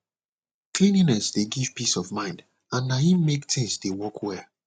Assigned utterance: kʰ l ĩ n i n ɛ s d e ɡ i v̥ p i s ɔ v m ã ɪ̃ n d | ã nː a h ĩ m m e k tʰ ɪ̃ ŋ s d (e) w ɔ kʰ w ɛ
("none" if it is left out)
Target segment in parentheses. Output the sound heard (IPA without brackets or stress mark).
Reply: e